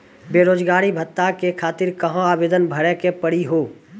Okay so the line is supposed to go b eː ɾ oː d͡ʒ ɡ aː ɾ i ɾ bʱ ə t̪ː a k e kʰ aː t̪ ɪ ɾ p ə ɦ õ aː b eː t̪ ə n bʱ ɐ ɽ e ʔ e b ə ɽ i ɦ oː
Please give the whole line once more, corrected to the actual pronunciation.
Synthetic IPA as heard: b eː ɾ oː d͡ʒ ɡ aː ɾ i bʱ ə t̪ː a k e kʰ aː t̪ ɪ ɾ k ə ɦ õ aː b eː d̪ ə n bʱ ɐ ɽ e k e p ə ɽ i ɦ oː